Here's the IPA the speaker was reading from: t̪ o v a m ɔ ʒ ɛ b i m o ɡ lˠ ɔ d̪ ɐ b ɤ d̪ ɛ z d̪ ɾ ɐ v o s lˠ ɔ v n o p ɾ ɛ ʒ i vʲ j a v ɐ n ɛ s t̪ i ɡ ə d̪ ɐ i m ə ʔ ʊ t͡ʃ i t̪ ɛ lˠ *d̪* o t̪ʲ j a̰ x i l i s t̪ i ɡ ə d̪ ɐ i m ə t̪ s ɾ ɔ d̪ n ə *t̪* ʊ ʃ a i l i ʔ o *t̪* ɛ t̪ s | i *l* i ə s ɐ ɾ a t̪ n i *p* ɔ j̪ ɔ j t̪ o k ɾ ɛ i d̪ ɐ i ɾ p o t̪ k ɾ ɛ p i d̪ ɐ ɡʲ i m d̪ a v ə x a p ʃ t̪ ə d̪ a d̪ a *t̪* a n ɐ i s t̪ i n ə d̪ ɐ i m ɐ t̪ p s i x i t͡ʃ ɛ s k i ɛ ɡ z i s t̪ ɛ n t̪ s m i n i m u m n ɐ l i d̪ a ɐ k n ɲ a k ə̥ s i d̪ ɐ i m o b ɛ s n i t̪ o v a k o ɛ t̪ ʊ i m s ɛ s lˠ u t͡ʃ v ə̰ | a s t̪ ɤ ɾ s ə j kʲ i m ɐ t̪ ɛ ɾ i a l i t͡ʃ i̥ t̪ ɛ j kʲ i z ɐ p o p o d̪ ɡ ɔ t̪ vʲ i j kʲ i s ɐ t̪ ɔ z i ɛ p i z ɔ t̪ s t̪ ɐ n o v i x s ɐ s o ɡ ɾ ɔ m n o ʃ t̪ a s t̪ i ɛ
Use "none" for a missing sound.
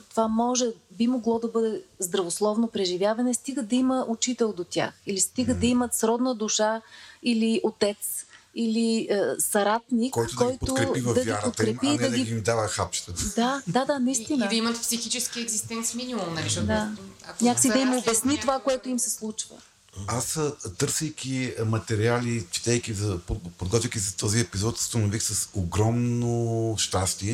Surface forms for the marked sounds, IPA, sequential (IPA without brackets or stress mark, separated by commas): d̪, d̪, t̪, l, k, d̪